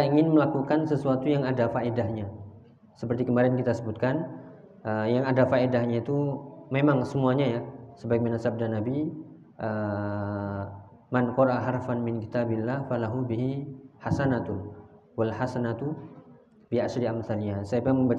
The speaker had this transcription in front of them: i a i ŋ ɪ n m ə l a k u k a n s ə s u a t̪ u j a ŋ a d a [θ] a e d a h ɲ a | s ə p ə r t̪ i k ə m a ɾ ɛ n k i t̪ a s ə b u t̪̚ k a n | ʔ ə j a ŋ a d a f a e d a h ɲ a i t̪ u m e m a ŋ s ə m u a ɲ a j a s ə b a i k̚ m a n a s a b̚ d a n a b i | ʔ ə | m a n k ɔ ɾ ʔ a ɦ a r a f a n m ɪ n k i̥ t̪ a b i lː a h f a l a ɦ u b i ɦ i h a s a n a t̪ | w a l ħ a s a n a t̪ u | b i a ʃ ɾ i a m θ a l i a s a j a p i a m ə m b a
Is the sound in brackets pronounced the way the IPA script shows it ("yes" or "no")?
no